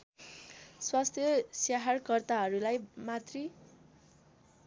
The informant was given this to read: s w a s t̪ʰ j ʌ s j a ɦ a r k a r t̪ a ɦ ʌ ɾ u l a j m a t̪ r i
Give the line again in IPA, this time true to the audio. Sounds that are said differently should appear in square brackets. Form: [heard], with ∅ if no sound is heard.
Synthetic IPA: s w a s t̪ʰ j ʌ s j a ɦ a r k [ʌ] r t̪ a ɦ ʌ ɾ u l a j m a t̪ r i